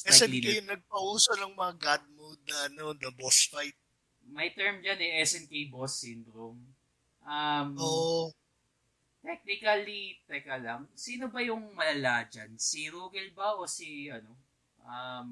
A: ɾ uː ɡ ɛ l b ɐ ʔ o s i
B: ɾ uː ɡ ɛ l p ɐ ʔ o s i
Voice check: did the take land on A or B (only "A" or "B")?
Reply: A